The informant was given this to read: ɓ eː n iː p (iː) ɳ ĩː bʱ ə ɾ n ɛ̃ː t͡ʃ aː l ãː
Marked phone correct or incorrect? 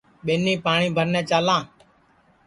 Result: incorrect